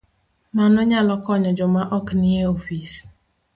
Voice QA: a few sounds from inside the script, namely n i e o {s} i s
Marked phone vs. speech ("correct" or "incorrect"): incorrect